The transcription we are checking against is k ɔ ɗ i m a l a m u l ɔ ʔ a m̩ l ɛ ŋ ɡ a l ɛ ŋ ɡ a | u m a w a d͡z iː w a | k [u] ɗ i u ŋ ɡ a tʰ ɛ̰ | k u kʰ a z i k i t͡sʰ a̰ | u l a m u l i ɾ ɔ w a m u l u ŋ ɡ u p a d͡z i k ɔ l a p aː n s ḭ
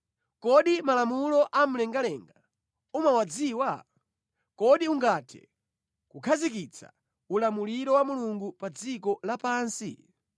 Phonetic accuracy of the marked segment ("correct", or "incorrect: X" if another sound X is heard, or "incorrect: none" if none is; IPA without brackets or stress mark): incorrect: ɔ